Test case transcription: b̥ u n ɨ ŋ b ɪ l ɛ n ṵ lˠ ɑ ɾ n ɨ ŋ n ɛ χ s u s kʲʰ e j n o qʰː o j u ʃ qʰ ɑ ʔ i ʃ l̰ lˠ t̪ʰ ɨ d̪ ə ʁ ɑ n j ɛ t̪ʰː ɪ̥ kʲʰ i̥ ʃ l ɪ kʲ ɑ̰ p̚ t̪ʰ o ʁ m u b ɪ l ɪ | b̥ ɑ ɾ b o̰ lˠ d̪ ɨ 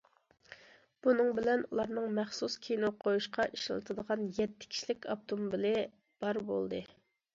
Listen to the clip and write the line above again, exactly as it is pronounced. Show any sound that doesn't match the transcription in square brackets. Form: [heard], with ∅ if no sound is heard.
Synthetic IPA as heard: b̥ u n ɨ ŋ b ɪ l ɛ n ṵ lˠ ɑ ɾ n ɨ ŋ [m] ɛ χ s u s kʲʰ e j n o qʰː o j u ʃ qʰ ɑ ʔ i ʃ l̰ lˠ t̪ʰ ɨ d̪ ə ʁ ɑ n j ɛ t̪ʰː ɪ̥ kʲʰ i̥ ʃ l ɪ kʲ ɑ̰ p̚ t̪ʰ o [∅] m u b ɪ l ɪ | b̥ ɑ ɾ b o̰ lˠ d̪ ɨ